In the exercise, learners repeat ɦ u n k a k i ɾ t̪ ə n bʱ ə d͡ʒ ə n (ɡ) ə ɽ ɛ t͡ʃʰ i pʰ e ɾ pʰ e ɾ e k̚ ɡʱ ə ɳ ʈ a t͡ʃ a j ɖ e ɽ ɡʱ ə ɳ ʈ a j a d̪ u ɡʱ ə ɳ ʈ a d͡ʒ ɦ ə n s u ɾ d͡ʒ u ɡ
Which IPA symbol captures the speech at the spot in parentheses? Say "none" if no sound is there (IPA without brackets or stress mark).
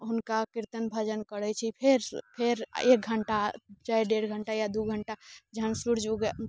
k